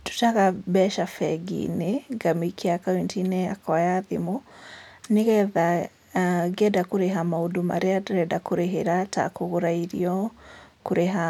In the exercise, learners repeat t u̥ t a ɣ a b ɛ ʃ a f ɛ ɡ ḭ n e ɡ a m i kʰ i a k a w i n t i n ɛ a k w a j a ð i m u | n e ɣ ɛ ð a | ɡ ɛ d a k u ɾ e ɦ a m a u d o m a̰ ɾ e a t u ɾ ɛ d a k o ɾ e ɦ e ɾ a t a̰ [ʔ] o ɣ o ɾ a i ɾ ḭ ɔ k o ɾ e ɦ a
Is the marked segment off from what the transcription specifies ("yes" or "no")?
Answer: yes